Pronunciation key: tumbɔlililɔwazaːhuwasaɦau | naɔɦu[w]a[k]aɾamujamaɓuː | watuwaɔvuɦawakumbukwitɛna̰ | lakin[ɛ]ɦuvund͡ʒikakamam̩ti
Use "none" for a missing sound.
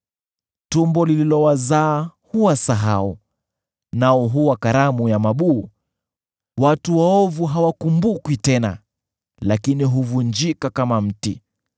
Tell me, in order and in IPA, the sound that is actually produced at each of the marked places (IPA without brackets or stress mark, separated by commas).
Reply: w, k, i